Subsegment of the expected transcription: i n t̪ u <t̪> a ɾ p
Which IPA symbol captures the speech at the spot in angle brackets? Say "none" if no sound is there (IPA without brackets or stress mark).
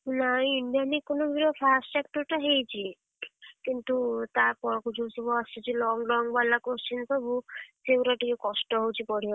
t̪